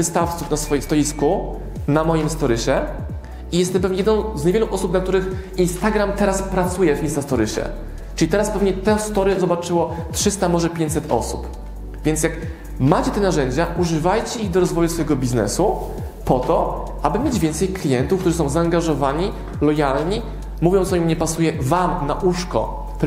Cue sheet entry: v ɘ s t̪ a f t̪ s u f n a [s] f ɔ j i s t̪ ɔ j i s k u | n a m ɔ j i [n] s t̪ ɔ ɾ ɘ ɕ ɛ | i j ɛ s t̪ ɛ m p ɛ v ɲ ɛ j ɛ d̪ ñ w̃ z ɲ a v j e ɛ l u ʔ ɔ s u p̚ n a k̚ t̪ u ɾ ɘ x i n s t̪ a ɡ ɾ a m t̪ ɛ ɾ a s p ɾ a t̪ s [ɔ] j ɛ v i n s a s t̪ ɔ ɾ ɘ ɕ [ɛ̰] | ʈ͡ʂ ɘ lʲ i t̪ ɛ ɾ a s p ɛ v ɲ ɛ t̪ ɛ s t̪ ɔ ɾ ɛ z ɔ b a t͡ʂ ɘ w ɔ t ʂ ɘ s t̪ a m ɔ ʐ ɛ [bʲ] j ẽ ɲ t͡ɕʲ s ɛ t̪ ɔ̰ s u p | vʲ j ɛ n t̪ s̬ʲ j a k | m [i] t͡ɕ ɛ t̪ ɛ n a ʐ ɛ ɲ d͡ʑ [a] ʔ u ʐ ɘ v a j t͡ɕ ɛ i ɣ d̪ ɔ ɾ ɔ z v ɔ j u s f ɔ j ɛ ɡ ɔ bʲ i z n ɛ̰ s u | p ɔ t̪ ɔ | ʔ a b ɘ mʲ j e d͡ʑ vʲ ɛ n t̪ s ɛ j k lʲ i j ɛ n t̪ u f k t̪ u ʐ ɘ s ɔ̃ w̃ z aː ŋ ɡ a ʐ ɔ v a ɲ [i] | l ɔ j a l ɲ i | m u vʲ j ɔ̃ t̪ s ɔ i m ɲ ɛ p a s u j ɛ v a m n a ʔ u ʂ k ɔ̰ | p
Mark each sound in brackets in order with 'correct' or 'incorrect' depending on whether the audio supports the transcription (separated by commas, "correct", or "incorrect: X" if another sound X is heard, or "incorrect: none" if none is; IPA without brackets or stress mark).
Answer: correct, incorrect: m, incorrect: u, correct, incorrect: pʲ, incorrect: a, correct, correct